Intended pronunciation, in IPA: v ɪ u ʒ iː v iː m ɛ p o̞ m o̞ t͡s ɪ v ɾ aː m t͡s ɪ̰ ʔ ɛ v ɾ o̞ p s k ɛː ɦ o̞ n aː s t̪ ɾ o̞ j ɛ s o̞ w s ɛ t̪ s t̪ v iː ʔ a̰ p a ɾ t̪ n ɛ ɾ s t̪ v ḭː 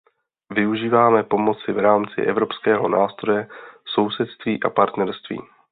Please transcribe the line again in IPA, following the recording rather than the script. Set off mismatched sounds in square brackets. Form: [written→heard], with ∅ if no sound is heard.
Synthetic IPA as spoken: v ɪ u ʒ iː v [iː→aː] m ɛ p o̞ m o̞ t͡s ɪ v ɾ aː m t͡s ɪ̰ ʔ ɛ v ɾ o̞ p s k ɛː ɦ o̞ n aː s t̪ ɾ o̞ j ɛ s o̞ w s ɛ t̪ s t̪ v iː ʔ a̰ p a ɾ t̪ n ɛ ɾ s t̪ v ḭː

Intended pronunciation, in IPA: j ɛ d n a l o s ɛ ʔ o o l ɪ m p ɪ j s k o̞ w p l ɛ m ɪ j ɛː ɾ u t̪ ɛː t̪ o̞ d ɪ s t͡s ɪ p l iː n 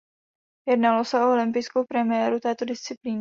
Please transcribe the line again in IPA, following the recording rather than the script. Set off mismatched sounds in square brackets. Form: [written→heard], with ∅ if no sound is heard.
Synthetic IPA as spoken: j ɛ d n a l o s ɛ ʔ o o l ɪ m p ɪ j s k o̞ w p [l→ɾ] ɛ m ɪ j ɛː ɾ u t̪ ɛː t̪ o̞ d ɪ s t͡s ɪ p l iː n

